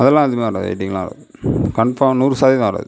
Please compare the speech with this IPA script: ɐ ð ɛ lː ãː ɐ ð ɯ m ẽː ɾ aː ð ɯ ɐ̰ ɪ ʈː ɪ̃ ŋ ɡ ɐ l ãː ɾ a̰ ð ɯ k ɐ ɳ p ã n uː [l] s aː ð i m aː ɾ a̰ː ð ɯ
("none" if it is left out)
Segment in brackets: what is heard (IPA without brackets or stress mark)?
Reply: ɾ